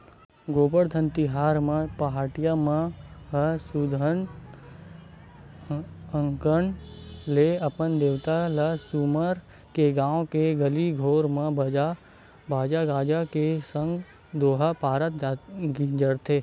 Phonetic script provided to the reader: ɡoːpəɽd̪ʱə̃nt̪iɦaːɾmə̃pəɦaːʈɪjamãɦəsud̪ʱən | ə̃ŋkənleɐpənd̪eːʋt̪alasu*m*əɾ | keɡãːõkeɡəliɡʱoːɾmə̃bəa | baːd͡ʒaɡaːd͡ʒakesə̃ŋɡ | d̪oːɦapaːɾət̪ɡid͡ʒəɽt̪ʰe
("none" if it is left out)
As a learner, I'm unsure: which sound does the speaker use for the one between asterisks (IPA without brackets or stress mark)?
m